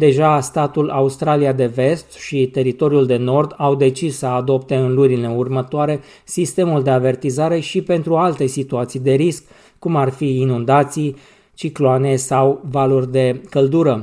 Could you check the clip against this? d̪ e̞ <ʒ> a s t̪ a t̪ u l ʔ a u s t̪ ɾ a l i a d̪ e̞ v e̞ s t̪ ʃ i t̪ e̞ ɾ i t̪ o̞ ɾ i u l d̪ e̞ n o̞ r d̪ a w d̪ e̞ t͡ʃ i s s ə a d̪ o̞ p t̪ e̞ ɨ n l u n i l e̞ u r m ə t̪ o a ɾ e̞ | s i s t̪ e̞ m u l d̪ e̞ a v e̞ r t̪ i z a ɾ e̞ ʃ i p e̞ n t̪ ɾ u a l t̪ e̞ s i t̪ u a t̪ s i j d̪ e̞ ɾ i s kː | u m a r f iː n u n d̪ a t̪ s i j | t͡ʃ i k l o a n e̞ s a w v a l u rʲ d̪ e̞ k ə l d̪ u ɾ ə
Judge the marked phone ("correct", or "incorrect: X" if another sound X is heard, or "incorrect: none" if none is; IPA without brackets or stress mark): correct